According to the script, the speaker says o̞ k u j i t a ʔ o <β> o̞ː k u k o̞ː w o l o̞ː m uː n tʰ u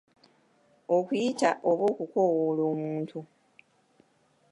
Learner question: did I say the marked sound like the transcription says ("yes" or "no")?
yes